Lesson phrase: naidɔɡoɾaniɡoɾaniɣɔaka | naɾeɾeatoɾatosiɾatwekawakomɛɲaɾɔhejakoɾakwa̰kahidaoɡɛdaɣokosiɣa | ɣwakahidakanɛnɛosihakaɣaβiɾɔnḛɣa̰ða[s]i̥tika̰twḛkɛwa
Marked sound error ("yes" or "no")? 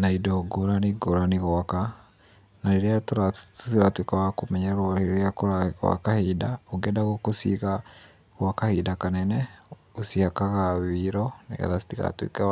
no